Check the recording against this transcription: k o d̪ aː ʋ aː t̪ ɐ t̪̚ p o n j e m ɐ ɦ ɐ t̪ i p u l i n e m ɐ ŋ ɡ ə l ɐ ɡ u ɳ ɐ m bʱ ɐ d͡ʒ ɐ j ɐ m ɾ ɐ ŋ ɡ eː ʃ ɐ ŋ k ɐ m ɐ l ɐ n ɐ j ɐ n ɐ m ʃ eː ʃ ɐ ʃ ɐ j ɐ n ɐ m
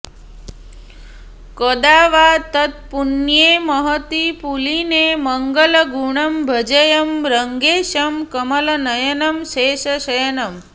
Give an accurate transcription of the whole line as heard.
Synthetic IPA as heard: k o d̪ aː ʋ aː t̪ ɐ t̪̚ p u n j e m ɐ ɦ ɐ t̪ i p u l i n e m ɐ ŋ ɡ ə l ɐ ɡ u ɳ ɐ m bʱ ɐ d͡ʒ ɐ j ɐ m ɾ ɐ ŋ ɡ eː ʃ ɐ m k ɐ m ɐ l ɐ n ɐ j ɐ n ɐ m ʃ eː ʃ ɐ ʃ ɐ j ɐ n ɐ m